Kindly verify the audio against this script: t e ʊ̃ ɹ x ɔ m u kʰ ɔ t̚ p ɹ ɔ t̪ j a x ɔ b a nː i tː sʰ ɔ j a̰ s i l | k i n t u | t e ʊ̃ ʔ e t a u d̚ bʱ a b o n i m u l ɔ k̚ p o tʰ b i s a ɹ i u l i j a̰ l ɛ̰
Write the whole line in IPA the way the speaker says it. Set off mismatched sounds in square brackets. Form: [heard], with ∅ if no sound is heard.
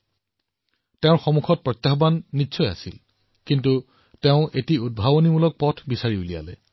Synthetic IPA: t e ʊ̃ ɹ x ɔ m u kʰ ɔ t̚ p ɹ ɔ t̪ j a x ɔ b a nː i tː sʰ ɔ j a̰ s i l | k i n t u | t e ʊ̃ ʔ e t [i] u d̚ bʱ a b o n i m u l ɔ k̚ p [ɔ] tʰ b i s a ɹ i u l i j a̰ l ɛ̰